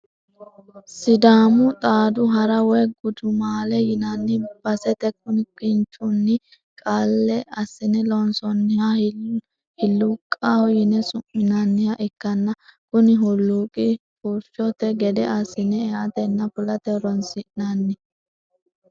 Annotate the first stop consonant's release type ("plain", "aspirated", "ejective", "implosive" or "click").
plain